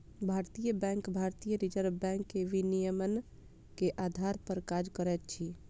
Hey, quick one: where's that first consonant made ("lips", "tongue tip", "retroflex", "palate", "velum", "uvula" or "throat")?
lips